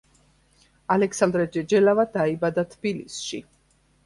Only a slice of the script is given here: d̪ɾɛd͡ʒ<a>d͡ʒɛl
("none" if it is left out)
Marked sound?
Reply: ɛ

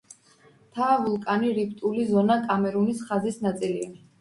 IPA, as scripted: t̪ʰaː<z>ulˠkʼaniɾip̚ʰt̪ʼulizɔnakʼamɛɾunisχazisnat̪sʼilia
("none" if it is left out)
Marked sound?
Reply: v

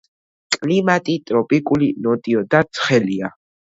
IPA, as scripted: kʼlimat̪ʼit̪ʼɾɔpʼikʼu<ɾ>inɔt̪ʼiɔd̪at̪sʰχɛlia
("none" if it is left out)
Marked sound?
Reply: l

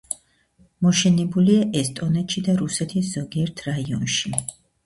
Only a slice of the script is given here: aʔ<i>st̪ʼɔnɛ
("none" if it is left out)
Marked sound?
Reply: ɛ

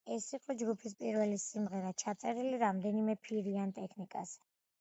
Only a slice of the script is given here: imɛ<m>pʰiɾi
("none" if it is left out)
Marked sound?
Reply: none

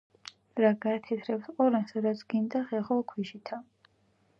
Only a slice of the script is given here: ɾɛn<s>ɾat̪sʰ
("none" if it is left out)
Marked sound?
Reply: s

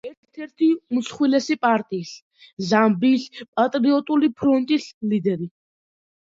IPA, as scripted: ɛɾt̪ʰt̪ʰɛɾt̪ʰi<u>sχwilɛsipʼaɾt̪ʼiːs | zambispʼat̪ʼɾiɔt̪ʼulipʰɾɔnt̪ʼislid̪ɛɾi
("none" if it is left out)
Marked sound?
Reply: u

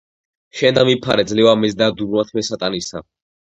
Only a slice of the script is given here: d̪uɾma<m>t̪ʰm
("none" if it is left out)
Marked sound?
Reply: none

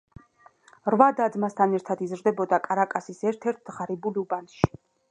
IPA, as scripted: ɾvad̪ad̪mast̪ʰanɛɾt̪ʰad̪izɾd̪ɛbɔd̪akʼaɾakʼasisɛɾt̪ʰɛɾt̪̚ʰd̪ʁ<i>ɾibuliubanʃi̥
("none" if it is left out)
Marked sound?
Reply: a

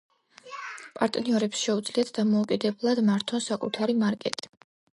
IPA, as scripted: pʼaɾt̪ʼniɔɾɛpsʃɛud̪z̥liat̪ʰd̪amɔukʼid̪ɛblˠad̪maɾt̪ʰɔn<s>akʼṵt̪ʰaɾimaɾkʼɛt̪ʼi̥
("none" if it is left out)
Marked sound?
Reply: s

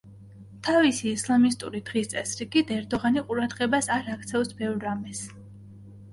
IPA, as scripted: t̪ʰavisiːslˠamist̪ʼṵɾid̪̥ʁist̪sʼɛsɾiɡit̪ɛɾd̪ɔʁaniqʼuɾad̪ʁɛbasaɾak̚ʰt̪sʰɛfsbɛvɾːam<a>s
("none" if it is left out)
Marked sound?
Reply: ɛ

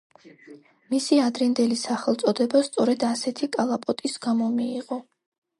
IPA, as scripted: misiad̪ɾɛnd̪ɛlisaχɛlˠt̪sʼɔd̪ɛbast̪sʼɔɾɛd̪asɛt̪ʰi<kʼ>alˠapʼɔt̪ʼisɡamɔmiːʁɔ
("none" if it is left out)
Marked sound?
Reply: kʼ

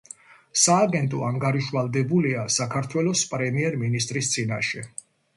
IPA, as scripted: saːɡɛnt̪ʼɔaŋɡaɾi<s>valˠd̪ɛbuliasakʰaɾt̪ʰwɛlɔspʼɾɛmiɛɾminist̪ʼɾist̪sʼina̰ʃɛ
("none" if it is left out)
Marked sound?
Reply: ʃ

